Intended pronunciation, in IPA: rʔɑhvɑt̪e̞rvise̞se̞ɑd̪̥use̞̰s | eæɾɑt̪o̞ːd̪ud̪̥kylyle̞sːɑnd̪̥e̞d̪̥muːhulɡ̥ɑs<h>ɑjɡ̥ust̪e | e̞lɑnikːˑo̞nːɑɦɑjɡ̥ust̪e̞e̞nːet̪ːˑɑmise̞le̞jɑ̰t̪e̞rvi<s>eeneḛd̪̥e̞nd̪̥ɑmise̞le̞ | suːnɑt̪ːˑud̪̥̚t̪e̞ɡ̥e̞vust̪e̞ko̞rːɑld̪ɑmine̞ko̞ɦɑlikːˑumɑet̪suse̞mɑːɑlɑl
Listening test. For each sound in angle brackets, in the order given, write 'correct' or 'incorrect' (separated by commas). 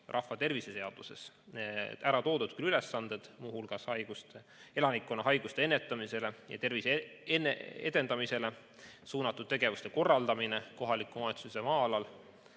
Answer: correct, correct